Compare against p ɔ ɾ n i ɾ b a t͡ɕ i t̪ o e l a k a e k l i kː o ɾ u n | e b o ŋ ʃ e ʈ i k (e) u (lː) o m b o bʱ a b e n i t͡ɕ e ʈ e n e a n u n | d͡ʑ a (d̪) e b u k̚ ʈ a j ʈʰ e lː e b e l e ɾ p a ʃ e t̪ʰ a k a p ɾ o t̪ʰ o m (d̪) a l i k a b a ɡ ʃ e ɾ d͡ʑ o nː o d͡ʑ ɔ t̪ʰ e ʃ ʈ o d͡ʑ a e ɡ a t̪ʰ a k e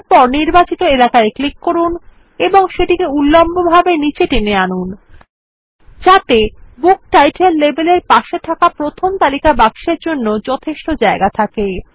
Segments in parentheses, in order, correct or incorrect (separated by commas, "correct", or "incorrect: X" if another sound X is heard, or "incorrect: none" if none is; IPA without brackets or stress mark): correct, correct, incorrect: t̪, incorrect: t̪